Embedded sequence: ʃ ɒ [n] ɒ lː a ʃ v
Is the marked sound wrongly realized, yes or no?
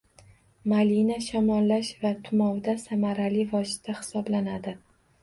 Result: yes